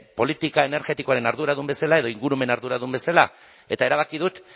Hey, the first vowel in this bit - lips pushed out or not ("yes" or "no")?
yes